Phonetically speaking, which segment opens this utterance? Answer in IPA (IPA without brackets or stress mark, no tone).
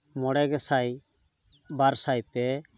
m